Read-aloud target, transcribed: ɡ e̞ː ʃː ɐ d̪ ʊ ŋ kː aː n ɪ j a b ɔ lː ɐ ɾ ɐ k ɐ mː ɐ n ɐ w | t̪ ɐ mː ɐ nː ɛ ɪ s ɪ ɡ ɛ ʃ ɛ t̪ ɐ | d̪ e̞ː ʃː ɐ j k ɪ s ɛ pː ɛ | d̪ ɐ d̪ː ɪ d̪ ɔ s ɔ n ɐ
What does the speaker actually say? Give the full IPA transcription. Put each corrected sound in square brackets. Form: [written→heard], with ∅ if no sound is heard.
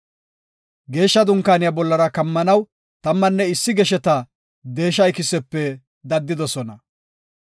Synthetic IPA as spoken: ɡ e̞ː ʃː ɐ d̪ ʊ ŋ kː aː n ɪ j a b ɔ lː ɐ ɾ ɐ k ɐ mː ɐ n ɐ w | t̪ ɐ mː ɐ nː ɛ ɪ [s→sː] ɪ ɡ ɛ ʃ ɛ t̪ ɐ | d̪ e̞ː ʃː ɐ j k ɪ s ɛ pː ɛ | d̪ ɐ d̪ː ɪ d̪ ɔ s ɔ n ɐ

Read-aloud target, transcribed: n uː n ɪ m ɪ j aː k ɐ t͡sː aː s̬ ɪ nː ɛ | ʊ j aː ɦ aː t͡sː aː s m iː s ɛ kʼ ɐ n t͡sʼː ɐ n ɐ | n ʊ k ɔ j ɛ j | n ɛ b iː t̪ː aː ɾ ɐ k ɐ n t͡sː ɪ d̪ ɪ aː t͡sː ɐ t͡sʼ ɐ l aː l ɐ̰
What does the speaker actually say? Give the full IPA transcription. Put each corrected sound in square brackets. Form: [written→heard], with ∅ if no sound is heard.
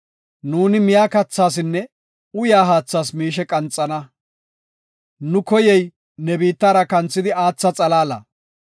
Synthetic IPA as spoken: n uː n ɪ m ɪ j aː k ɐ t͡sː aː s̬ ɪ nː ɛ | ʊ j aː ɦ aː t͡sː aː s m iː [s→ʃ] ɛ kʼ ɐ n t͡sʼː ɐ n ɐ | n ʊ k ɔ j ɛ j | n ɛ b iː t̪ː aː ɾ ɐ k ɐ n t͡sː ɪ d̪ ɪ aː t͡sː ɐ t͡sʼ ɐ l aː l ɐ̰

